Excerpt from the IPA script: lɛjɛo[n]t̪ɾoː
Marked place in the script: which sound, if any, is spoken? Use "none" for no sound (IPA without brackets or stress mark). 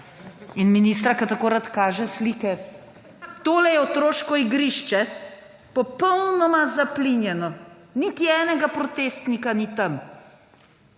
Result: none